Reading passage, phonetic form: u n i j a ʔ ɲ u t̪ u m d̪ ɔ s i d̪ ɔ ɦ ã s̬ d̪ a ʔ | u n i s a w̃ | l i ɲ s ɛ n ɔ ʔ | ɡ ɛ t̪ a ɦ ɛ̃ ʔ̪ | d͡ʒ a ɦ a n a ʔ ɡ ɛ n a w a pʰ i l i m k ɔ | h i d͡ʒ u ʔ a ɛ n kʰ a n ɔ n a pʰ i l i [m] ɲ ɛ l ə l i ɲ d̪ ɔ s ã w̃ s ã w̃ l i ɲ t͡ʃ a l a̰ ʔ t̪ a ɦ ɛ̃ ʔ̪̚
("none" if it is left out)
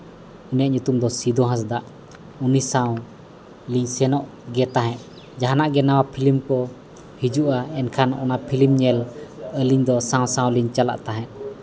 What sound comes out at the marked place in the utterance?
m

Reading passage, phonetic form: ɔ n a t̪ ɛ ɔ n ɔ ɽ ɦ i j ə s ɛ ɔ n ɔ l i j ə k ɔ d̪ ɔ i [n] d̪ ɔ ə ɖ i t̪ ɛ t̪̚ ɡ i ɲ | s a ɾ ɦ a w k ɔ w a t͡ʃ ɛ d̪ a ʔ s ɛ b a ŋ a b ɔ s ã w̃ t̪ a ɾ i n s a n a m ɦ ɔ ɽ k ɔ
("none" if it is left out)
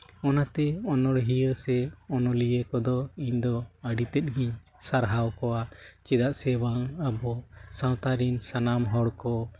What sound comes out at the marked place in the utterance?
ɲ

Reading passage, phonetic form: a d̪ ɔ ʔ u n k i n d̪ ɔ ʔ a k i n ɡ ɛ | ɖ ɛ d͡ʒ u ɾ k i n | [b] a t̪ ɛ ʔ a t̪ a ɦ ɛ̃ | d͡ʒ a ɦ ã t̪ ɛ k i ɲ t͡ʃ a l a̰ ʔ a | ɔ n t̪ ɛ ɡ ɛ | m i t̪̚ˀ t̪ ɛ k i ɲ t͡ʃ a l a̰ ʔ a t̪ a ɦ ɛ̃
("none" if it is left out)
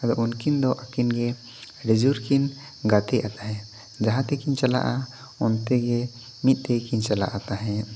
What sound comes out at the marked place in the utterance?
ɡ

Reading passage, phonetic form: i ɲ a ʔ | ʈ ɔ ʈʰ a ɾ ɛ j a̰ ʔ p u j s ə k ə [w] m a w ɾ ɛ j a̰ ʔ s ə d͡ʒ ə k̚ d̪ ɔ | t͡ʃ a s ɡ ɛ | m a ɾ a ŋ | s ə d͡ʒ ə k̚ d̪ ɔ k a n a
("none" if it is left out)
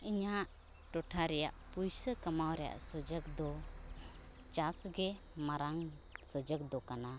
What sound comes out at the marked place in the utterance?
none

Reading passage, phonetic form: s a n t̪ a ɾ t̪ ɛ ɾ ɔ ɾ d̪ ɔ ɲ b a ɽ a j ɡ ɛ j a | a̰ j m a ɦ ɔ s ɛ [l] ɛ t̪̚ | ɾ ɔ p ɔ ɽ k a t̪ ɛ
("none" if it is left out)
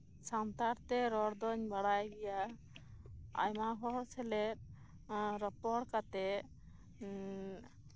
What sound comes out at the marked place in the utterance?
l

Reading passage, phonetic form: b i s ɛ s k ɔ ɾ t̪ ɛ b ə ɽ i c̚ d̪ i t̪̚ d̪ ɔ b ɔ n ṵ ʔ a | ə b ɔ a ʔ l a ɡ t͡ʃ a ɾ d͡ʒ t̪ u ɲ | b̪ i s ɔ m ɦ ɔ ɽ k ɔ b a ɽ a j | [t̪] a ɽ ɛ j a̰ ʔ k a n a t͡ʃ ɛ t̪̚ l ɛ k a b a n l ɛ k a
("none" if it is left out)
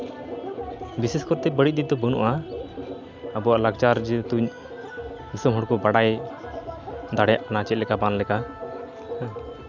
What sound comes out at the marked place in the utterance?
d̪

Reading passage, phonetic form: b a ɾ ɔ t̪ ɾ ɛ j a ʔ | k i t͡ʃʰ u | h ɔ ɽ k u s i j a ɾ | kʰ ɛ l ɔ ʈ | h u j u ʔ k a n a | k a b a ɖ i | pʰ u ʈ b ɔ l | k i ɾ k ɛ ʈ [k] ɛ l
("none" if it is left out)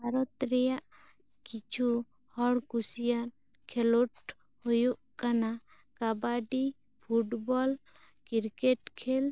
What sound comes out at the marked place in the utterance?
kʰ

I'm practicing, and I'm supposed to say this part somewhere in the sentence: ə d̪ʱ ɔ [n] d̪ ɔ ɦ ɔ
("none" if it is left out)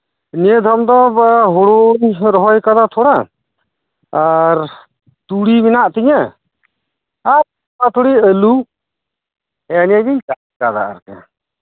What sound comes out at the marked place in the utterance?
m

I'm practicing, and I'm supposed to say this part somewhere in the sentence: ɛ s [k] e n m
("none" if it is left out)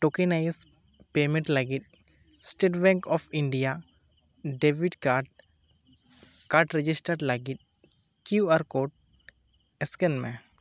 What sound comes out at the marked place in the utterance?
k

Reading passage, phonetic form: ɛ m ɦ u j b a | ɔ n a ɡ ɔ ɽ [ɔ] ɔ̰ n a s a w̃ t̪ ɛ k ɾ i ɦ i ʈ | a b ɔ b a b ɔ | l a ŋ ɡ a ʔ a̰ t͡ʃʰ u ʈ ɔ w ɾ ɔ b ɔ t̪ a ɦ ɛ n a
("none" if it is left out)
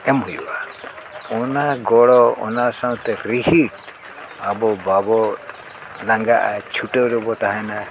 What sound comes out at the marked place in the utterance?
ɔ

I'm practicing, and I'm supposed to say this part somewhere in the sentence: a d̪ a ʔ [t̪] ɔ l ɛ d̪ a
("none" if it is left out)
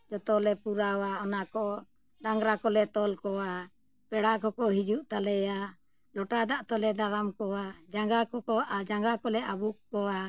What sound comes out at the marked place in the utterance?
t̪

